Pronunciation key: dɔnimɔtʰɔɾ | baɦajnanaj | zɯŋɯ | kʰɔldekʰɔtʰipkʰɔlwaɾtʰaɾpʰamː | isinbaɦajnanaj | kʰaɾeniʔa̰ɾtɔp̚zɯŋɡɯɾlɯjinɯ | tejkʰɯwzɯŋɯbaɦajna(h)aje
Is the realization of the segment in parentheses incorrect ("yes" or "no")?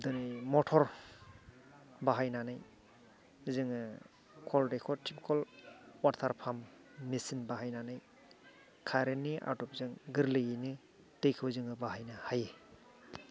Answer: no